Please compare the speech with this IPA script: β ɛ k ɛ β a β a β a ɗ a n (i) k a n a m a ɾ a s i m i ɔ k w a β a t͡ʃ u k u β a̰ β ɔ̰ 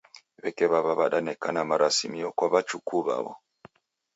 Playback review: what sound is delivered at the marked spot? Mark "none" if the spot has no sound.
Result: ɛ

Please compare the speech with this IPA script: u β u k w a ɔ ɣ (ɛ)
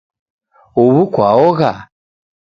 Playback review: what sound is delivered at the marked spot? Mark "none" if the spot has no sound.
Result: a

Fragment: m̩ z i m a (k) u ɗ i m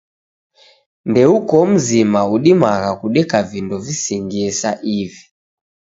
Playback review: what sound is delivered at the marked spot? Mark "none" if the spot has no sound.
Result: none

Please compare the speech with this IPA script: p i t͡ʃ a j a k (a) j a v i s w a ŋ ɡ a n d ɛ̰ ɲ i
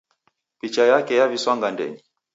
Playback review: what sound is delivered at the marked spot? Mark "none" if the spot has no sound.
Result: ɛ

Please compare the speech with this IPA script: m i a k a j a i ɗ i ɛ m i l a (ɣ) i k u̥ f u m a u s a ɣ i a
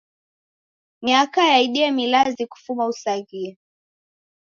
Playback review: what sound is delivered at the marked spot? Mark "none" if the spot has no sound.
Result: z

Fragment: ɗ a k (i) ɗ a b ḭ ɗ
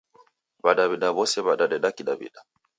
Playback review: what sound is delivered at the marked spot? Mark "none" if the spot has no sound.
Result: i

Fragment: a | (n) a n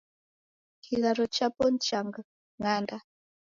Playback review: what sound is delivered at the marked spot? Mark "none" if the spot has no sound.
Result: ŋ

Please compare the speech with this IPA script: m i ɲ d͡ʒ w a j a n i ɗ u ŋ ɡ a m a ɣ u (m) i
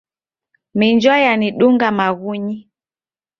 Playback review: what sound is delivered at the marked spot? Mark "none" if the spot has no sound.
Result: ɲ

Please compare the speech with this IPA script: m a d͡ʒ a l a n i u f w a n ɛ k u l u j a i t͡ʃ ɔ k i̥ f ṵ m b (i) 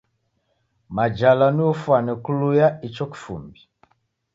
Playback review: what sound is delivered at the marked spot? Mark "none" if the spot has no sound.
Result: i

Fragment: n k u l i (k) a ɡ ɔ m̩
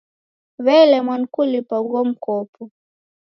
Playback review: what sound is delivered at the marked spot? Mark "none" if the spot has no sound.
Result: p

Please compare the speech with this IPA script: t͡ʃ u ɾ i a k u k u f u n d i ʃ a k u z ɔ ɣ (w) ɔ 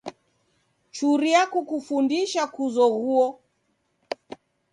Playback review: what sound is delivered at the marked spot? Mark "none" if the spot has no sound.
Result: u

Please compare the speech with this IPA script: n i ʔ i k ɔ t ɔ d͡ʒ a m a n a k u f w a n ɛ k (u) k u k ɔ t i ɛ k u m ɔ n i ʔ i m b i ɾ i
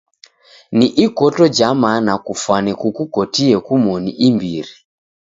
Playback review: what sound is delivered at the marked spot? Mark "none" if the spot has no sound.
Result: u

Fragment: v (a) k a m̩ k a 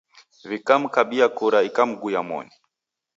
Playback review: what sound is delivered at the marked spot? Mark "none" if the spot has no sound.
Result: i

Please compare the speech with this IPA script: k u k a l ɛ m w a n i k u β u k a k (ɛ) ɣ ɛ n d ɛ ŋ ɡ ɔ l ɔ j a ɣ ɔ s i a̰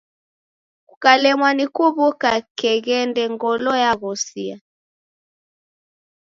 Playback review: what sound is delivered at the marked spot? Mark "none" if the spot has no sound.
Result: ɛ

